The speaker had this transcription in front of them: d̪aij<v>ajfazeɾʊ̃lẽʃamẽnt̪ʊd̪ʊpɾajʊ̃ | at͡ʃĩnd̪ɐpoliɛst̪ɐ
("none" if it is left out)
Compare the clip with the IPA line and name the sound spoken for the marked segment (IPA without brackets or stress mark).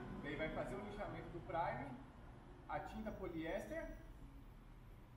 v